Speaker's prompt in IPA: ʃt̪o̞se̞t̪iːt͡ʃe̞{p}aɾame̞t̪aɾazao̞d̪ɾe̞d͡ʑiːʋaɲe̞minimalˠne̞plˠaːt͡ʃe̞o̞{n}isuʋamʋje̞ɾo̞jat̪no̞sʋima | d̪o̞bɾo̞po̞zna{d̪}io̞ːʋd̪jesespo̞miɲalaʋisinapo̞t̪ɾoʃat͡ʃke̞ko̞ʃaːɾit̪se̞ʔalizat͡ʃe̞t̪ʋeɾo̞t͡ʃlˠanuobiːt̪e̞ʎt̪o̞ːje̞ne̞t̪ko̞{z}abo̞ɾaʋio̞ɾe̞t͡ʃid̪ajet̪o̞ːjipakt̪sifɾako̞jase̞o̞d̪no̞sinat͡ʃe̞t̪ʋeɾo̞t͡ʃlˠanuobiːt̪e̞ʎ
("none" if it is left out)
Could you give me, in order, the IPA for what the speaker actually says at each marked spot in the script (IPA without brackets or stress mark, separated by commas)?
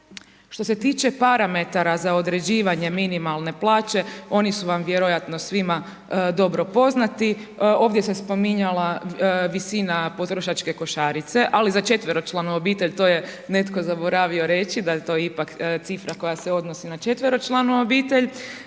p, n, t̪, z